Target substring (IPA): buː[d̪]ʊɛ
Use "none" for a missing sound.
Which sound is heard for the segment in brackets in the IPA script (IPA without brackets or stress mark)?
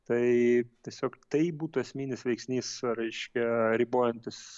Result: t̪